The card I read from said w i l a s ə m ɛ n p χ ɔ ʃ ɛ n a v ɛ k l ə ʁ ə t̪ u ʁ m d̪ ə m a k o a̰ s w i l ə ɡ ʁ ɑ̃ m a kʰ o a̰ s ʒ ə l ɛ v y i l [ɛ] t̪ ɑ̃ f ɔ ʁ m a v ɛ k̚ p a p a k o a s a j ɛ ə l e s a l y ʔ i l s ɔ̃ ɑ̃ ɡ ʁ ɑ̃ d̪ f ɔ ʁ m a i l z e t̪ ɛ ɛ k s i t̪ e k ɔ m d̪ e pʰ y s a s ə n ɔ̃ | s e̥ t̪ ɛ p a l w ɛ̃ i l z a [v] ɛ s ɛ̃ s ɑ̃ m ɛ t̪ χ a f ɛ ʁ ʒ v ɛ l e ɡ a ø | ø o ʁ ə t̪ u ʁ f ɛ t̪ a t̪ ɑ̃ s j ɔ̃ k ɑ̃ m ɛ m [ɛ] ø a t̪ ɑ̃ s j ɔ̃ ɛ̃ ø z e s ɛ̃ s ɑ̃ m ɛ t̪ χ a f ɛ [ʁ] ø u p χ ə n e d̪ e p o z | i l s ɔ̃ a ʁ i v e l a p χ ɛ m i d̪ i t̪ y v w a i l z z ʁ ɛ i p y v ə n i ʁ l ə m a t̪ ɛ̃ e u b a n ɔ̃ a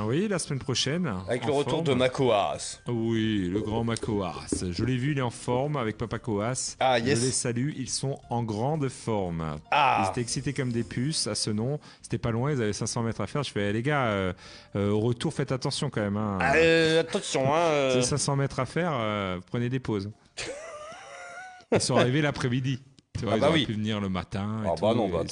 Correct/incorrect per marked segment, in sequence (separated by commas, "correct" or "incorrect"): correct, correct, incorrect, correct